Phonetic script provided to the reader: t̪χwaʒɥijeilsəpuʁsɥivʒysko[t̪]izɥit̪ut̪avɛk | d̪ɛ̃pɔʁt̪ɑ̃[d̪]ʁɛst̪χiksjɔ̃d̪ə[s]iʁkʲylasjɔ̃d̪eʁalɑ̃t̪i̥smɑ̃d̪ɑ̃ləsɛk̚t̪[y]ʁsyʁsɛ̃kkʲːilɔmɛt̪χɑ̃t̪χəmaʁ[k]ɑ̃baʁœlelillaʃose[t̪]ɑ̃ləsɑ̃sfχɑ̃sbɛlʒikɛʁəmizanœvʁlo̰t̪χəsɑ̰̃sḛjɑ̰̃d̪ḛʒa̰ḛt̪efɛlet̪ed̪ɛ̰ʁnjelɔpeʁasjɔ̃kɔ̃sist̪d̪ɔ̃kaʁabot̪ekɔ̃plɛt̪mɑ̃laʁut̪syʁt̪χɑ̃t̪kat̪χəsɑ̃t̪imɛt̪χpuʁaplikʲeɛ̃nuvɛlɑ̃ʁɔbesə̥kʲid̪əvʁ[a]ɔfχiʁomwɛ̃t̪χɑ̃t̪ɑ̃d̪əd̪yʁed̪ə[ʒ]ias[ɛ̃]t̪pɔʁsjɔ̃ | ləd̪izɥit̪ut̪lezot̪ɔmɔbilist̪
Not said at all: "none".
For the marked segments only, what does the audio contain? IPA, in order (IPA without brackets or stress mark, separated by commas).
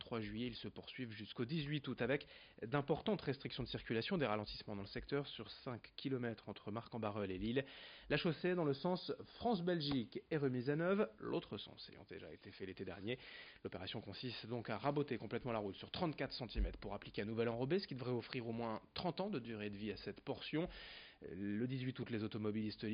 d̪, t̪, s, œ, k, d̪, ɛ, v, ɛ